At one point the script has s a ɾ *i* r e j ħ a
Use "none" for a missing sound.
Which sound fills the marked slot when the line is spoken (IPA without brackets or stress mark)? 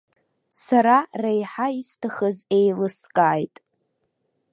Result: a